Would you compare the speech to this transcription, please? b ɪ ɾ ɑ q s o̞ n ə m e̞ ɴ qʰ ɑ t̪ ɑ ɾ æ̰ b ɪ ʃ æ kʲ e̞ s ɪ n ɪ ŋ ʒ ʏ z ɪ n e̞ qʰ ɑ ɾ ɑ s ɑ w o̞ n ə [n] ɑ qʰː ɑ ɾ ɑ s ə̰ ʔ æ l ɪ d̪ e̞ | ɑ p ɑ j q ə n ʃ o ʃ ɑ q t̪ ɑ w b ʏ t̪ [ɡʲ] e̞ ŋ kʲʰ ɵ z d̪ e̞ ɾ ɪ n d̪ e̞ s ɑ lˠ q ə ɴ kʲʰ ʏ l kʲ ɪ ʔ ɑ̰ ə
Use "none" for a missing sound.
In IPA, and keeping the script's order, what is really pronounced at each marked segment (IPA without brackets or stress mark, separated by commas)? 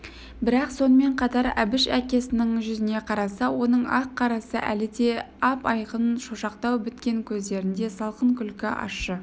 ɴ, kʲ